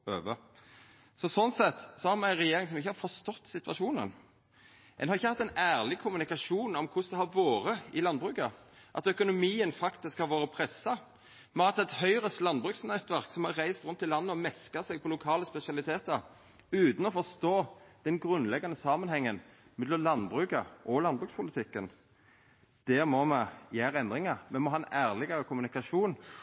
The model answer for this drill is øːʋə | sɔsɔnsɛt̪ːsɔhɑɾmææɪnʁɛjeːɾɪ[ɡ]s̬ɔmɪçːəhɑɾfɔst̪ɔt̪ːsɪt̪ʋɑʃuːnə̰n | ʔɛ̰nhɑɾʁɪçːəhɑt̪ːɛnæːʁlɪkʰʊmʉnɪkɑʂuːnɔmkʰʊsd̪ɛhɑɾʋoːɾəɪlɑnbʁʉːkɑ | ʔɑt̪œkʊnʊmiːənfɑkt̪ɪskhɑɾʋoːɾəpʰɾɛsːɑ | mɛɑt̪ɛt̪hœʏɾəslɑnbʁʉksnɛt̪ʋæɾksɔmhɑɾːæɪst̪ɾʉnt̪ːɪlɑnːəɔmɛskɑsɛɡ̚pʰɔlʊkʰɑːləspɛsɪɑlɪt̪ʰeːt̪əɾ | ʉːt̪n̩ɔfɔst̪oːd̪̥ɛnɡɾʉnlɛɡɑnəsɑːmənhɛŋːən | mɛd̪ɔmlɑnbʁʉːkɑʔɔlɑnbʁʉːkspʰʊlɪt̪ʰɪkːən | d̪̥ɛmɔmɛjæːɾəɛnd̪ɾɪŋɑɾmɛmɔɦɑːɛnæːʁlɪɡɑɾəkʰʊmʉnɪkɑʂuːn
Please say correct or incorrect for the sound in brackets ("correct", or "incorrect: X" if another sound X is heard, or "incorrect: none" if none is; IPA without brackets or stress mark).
incorrect: ŋ